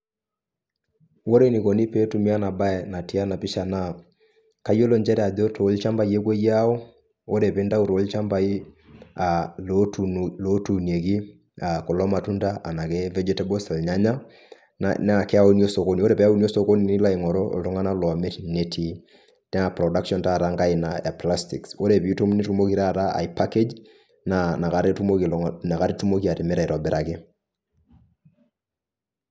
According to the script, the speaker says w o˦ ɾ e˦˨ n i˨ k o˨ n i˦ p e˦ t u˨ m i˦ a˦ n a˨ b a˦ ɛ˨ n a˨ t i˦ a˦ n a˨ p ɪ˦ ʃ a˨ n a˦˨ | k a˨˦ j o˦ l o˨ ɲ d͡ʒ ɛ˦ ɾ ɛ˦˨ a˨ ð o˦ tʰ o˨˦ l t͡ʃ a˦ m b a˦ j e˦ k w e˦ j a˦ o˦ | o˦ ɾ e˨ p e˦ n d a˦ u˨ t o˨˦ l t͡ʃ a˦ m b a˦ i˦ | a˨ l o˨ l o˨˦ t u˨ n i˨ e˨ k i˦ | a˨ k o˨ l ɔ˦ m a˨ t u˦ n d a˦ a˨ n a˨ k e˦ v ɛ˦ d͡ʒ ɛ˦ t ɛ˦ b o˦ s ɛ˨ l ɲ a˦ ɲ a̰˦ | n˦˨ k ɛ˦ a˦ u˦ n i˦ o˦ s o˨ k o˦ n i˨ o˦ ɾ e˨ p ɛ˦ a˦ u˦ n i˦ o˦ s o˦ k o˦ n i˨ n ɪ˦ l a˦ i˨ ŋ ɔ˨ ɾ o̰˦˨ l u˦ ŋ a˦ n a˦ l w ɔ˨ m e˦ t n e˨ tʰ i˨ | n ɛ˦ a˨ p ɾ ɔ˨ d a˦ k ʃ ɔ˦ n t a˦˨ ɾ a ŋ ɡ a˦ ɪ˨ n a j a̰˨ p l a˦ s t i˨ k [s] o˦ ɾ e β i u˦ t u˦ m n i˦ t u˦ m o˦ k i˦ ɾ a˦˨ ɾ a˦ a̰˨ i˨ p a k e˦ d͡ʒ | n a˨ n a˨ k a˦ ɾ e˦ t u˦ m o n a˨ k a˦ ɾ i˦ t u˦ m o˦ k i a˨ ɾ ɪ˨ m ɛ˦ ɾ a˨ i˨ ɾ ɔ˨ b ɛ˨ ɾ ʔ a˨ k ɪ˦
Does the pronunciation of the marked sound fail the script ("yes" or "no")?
no